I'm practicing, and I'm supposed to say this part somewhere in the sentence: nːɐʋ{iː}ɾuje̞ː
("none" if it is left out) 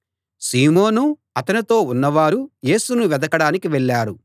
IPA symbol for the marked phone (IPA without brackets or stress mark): aː